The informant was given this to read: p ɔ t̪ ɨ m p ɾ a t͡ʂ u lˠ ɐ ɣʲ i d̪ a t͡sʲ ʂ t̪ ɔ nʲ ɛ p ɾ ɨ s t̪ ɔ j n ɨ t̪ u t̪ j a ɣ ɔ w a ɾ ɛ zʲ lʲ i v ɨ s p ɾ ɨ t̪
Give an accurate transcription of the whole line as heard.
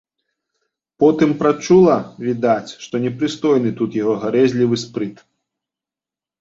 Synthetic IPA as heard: p ɔ t̪ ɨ m p ɾ a t͡ʂ u lˠ ɐ vʲ i d̪ a t͡sʲ ʂ t̪ ɔ nʲ ɛ p ɾ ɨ s t̪ ɔ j n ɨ t̪ u t̪ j a ɣ ɔ ɣ a ɾ ɛ zʲ lʲ i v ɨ s p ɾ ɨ t̪

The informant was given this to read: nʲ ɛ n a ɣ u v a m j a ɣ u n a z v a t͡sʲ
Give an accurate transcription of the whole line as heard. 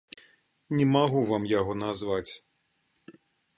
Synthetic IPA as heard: nʲ ɛ m a ɣ u v a m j a ɣ ɔ n a z v a t͡sʲ

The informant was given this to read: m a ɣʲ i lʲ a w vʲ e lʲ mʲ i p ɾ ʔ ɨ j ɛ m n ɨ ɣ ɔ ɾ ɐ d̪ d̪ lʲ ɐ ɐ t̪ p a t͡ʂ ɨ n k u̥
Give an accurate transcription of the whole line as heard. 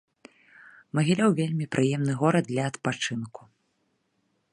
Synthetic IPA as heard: m ɐ ɣʲ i lʲ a w vʲ e lʲ mʲ i p ɾ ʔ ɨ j ɛ m n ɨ ɣ ɔ ɾ ɐ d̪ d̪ lʲ ɐ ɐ t̪ p a t͡ʂ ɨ n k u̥

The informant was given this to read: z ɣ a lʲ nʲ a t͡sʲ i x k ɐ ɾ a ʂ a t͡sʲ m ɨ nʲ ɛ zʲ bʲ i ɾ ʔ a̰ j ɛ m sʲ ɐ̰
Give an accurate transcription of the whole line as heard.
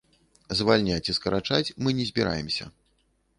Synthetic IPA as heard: z v a lʲ nʲ a t͡sʲ i s k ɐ ɾ a t͡ʂ a t͡sʲ m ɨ nʲ ɛ zʲ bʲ i ɾ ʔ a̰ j ɛ m sʲ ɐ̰

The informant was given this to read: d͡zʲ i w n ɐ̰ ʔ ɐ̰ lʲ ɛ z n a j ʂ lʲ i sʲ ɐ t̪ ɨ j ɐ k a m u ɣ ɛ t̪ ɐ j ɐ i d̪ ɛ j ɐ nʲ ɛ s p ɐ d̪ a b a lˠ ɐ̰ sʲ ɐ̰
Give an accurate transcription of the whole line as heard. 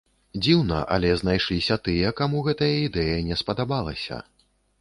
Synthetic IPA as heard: d͡zʲ i w n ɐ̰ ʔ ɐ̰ lʲ ɛ z n a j ʂ lʲ i sʲ ɐ t̪ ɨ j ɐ k a m u ɣ ɛ t̪ ɐ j ɐ i d̪ ɛ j ɐ nʲ ɛ s p ɐ d̪ a b a lˠ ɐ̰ sʲ ɐ̰

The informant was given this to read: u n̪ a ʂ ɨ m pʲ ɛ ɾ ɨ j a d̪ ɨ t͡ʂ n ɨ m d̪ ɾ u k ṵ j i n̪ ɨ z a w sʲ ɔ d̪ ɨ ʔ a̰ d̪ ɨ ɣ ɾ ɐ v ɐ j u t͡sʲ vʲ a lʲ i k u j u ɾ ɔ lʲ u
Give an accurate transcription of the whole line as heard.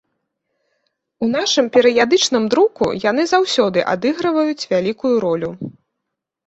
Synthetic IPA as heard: u n̪ a ʂ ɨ m pʲ ɛ ɾ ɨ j a d̪ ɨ t͡ʂ n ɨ m d̪ ɾ u k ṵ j a n̪ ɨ z a w sʲ ɔ d̪ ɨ ʔ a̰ d̪ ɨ ɣ ɾ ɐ v ɐ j u t͡sʲ vʲ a lʲ i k u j u ɾ ɔ lʲ u

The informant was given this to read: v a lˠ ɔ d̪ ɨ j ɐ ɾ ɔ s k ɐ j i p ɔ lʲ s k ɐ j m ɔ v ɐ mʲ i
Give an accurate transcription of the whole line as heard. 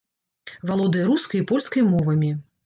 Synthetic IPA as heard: v a lˠ ɔ d̪ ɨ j ɐ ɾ u s k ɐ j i p ɔ lʲ s k ɐ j m ɔ v ɐ mʲ i

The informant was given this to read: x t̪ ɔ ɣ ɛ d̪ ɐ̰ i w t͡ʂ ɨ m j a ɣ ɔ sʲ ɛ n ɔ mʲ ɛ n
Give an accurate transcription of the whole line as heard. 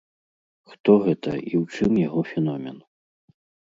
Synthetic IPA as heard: x t̪ ɔ ɣ ɛ t̪ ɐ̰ i w t͡ʂ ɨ m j a ɣ ɔ fʲ ɛ n ɔ mʲ ɛ n

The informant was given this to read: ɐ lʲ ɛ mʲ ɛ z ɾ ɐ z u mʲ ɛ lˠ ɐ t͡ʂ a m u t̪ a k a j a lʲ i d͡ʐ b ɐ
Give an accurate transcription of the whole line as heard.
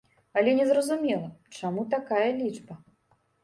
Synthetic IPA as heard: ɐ lʲ ɛ nʲ ɛ z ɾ ɐ z u mʲ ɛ lˠ ɐ t͡ʂ a m u t̪ a k a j ɐ lʲ i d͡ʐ b ɐ

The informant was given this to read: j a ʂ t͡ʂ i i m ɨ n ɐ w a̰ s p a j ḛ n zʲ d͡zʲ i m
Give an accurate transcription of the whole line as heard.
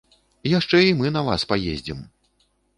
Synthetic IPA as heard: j a ʂ t͡ʂ ɛ i m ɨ n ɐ v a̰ s p a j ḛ zʲ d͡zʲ i m

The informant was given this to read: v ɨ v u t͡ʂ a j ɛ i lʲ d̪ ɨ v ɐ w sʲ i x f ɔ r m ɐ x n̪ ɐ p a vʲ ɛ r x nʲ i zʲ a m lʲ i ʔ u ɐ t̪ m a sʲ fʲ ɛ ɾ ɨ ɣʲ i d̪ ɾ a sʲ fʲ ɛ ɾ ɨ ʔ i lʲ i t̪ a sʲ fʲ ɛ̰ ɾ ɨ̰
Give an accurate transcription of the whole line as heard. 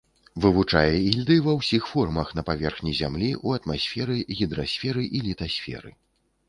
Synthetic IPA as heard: v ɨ v u t͡ʂ a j ɛ i lʲ d̪ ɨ v ɐ w sʲ i x f ɔ r m ɐ x n̪ ɐ p a vʲ ɛ r x nʲ i zʲ a m lʲ i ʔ u ɐ t̪ m a sʲ fʲ ɛ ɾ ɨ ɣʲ i d̪ ɾ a sʲ fʲ ɛ ɾ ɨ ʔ i lʲ i t̪ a sʲ fʲ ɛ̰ ɾ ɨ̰

